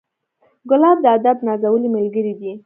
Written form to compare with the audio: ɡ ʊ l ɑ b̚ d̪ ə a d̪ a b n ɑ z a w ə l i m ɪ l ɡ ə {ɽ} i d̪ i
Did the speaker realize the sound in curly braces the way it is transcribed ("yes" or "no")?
no